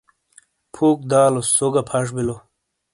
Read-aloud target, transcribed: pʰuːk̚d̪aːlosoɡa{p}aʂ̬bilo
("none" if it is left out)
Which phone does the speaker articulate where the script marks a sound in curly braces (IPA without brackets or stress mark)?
pʰ